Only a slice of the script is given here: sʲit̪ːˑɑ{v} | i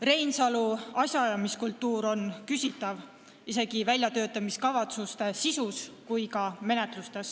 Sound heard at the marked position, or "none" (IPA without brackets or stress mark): v